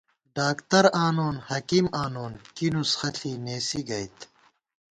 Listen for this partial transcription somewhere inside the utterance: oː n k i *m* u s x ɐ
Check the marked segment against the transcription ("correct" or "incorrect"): incorrect